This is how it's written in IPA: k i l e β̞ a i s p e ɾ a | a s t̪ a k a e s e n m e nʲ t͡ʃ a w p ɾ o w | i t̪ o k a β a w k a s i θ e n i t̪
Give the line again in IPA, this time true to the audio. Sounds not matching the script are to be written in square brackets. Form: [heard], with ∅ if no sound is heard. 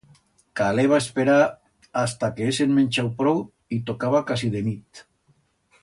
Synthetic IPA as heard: k [a] l e β̞ a [e] s p e ɾ a | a s t̪ a k [e] e s e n m e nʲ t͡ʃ a w p ɾ o w | i t̪ o k a β a [∅] k a s i [ð] e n i t̪